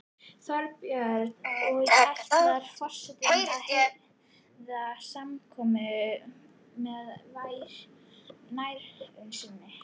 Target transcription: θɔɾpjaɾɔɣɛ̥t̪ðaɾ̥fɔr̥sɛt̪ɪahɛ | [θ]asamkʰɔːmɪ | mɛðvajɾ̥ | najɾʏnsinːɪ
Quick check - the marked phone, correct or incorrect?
incorrect